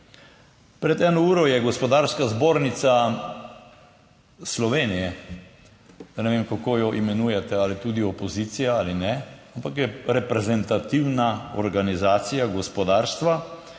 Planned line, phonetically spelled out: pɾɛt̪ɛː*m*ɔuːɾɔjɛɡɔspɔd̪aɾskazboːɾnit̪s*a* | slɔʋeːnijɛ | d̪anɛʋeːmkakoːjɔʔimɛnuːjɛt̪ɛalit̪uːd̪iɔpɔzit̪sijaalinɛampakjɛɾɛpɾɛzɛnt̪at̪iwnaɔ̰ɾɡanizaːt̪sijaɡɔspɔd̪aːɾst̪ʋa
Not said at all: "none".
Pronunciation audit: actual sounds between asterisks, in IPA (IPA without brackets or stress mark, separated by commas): n, a